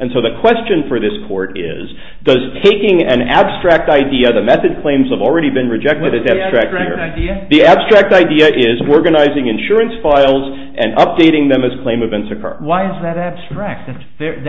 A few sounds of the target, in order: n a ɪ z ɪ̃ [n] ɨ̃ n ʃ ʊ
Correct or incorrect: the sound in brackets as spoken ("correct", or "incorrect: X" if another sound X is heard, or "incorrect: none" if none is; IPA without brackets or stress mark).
incorrect: ŋ